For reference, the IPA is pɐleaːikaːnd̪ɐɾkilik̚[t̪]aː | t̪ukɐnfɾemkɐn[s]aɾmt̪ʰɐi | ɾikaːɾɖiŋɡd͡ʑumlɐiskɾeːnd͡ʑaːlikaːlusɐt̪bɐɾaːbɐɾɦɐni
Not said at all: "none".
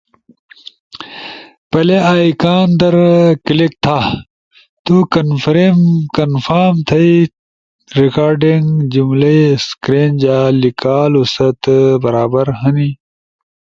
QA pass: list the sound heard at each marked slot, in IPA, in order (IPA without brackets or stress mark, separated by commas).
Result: t̪ʰ, f